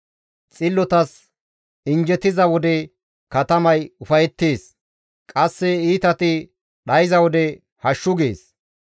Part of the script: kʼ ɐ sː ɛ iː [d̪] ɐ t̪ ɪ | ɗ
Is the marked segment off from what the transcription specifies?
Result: yes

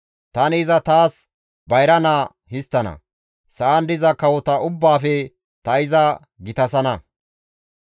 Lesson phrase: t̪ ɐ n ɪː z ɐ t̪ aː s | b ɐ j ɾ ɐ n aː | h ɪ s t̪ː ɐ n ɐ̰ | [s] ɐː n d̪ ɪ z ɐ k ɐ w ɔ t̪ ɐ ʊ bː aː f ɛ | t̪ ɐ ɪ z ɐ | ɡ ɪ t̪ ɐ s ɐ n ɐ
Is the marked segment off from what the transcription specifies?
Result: no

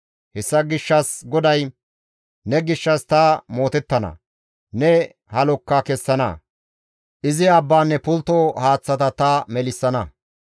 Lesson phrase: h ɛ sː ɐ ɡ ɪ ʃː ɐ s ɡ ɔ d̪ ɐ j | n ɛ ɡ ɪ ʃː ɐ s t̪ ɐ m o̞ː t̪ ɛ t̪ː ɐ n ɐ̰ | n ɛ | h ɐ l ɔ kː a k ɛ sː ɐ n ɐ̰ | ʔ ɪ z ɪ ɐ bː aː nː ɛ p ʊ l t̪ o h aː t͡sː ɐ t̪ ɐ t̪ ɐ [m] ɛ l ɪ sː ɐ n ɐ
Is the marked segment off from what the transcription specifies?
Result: no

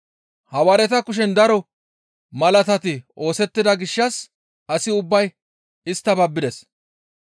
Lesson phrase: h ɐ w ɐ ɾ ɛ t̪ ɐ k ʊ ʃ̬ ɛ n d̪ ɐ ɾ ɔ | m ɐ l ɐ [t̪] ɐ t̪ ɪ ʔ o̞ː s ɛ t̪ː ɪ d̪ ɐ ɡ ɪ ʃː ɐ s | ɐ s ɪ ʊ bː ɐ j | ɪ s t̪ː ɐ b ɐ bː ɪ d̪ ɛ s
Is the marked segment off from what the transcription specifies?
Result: no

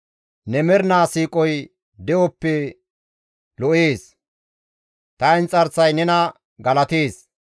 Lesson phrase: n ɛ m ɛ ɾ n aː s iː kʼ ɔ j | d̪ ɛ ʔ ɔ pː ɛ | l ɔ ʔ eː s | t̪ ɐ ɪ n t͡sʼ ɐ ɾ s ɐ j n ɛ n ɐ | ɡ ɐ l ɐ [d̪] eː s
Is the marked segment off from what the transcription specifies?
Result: yes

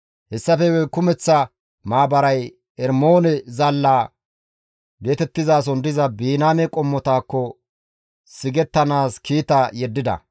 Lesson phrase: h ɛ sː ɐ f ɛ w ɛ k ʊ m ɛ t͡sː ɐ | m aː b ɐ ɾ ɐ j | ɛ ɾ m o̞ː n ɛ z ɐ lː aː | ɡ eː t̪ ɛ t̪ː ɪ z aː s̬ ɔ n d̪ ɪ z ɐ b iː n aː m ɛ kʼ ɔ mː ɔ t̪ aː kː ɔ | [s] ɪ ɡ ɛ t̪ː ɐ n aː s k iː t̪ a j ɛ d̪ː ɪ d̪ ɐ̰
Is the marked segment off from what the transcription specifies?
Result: no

